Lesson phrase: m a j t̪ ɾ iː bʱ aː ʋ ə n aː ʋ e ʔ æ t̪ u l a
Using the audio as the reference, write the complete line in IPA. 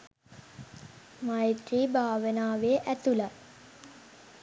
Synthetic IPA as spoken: m a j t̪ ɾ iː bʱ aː ʋ ə n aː ʋ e ʔ æ t̪ u l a